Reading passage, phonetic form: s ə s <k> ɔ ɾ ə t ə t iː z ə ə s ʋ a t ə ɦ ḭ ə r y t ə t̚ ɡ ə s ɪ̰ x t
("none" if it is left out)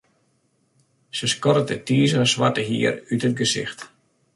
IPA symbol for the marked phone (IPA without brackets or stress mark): k